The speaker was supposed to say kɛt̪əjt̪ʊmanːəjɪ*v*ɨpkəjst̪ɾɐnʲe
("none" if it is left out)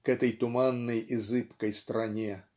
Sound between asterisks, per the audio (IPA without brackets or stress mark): z